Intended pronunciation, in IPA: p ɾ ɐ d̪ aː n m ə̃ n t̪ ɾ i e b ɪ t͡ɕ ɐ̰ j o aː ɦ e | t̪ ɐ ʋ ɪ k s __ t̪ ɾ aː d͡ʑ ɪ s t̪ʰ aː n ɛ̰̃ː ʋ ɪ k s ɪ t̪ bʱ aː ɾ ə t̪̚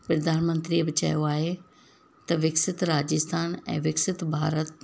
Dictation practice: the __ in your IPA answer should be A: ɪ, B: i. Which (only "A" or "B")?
A